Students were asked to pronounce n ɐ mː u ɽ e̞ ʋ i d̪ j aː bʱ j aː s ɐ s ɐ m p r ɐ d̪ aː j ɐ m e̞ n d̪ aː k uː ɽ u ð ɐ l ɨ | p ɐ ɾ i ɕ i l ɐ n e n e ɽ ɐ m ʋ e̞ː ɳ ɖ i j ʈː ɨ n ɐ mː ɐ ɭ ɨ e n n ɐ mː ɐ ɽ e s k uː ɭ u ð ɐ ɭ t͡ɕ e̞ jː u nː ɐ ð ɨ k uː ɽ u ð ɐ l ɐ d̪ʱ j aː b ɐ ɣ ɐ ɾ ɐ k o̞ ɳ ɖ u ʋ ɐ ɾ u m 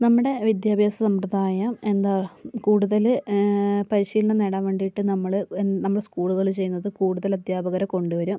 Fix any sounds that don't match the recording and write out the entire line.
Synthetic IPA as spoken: n ɐ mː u ɽ e̞ ʋ i d̪ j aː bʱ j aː s ɐ s ɐ m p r ɐ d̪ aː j ɐ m e̞ n d̪ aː k uː ɽ u ð ɐ l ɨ | p ɐ ɾ i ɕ iː l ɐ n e n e ɽ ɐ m ʋ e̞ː ɳ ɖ i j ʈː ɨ n ɐ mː ɐ ɭ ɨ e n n ɐ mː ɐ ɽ e s k uː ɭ u ð ɐ ɭ t͡ɕ e̞ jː u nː ɐ ð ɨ k uː ɽ u ð ɐ l ɐ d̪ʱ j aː b ɐ ɣ ɐ ɾ ɐ k o̞ ɳ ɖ u ʋ ɐ ɾ u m